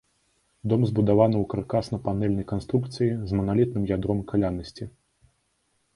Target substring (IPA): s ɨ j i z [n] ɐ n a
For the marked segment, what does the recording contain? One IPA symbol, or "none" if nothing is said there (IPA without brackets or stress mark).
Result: m